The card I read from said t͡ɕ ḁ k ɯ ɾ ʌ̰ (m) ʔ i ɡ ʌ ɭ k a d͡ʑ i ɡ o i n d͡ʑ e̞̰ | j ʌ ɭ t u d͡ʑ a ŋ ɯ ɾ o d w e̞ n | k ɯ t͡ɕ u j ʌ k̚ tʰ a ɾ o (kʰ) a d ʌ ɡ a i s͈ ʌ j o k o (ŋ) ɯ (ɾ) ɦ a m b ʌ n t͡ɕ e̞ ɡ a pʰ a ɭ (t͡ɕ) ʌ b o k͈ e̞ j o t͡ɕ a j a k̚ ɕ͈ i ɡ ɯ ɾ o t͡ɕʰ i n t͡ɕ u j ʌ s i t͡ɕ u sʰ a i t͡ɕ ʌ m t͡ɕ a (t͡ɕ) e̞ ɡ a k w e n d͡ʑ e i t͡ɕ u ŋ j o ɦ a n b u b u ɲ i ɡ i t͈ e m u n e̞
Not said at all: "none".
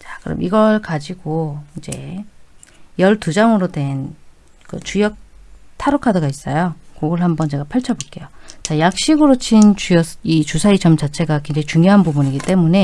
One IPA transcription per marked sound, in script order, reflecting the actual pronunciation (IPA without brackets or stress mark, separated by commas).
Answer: m, kʰ, ɡ, ɭ, t͡ɕʰ, t͡ɕʰ